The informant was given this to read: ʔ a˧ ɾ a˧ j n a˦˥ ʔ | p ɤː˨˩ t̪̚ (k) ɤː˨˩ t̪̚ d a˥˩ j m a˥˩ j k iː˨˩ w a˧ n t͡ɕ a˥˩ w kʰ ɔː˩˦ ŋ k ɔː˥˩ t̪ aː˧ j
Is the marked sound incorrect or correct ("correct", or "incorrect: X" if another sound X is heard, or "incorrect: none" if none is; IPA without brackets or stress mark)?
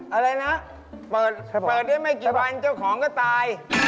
incorrect: p